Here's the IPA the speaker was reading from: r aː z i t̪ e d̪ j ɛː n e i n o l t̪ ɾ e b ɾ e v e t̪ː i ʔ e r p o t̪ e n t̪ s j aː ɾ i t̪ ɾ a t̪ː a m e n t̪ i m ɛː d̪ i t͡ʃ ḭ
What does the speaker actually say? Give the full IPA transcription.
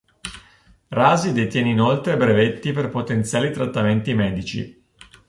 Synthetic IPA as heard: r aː z i d̪ e t̪ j ɛː n e i n o l t̪ ɾ e b ɾ e v e t̪ː i p e r p o t̪ e n t̪ s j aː l i t̪ ɾ a t̪ː a m e n t̪ i m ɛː d̪ i t͡ʃ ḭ